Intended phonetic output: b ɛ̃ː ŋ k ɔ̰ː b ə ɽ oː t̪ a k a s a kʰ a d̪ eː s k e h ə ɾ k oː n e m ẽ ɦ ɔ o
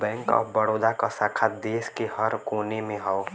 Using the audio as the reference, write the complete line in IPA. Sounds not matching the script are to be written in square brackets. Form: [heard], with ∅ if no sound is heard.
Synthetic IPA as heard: b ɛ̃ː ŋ k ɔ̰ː b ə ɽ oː [d̪] a k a s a kʰ a d̪ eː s k e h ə ɾ k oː n e m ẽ ɦ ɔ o